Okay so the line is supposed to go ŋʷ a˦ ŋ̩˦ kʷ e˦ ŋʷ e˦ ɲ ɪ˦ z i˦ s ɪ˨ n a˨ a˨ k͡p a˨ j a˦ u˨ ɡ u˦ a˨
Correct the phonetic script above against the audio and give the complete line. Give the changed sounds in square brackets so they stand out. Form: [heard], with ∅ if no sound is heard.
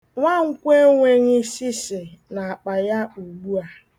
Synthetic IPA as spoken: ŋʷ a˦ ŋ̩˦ kʷ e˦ ŋʷ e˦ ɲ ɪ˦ [s] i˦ s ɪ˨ n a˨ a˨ k͡p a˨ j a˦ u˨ [ɡ͡b] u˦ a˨